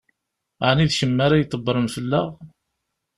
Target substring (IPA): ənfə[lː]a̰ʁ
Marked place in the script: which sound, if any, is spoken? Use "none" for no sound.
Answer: lː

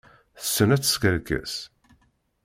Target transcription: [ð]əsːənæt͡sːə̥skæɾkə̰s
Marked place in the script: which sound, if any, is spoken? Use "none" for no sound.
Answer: θ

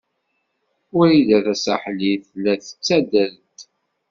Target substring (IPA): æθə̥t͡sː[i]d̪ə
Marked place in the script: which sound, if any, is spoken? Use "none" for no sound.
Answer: æ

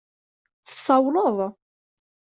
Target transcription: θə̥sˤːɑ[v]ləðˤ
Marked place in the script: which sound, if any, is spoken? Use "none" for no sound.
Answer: w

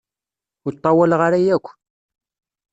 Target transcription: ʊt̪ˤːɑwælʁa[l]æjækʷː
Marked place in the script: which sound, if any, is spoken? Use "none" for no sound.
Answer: ɾ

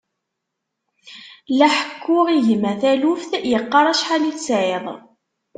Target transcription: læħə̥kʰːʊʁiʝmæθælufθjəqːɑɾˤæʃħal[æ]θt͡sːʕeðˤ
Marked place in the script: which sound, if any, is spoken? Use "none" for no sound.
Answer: i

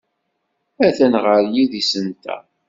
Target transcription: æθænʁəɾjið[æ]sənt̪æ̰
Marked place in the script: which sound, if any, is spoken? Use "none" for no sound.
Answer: i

